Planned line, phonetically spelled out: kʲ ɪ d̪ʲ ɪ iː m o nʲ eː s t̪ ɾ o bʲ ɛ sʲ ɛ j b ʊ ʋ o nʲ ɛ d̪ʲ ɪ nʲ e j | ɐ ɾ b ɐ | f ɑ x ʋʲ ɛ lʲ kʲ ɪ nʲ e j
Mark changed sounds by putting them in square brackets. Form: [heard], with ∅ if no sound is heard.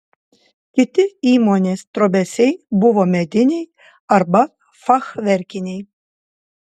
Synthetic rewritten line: kʲ ɪ [t̪ʲ] ɪ iː m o nʲ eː s t̪ ɾ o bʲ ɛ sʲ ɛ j b ʊ ʋ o [mʲ] ɛ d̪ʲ ɪ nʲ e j | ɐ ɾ b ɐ | f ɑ x ʋʲ ɛ [ɾʲ] kʲ ɪ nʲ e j